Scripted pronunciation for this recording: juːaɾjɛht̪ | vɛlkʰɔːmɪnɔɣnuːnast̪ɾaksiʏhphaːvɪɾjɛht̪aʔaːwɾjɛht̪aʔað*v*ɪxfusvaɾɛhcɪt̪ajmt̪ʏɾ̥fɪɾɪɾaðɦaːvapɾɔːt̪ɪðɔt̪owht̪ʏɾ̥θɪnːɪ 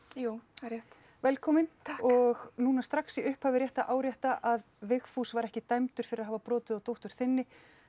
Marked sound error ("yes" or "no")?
no